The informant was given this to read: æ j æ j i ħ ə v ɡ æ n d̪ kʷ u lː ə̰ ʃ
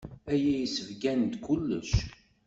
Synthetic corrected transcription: æ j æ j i s ə v ɡ æ n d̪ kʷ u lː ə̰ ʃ